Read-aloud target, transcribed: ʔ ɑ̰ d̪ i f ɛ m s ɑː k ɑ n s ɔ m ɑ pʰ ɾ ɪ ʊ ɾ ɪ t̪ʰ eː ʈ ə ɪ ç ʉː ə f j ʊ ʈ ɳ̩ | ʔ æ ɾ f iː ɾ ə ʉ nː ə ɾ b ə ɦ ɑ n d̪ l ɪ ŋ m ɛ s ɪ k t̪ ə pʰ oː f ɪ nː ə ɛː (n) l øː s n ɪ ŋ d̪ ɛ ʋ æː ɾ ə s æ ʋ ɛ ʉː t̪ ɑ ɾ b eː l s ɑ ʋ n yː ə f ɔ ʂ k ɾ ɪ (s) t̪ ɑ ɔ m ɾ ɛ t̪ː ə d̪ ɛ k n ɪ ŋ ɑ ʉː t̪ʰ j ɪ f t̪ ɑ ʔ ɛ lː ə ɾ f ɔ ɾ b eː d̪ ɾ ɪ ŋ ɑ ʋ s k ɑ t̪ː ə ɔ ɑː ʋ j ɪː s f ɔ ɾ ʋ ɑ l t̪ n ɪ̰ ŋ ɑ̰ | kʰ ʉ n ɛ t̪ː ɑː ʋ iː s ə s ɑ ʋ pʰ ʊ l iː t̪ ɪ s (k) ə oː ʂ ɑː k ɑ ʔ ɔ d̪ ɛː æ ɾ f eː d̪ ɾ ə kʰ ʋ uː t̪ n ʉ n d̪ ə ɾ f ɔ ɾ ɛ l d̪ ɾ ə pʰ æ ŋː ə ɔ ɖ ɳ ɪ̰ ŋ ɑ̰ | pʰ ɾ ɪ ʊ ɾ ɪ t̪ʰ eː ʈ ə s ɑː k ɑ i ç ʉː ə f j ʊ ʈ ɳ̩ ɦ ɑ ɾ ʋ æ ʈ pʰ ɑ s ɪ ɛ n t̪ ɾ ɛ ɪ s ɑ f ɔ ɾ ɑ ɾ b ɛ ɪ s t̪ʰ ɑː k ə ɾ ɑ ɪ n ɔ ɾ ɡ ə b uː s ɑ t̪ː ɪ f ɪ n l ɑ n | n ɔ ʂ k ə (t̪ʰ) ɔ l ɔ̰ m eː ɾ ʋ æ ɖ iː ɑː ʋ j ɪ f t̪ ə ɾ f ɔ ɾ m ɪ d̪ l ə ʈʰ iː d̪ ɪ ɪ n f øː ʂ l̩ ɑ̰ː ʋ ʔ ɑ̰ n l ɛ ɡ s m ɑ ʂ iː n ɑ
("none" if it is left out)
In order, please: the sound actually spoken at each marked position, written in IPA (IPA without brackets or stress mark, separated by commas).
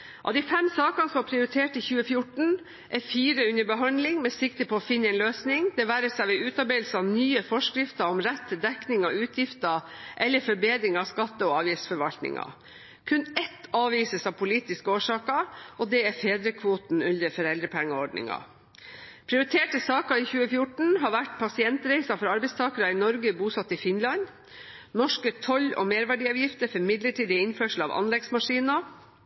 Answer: n, f, k, t̪ʰ